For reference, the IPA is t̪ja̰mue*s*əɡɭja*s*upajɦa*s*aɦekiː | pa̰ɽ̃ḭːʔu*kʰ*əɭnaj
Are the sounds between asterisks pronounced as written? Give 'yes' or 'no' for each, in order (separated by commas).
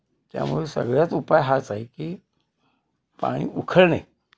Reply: yes, no, no, yes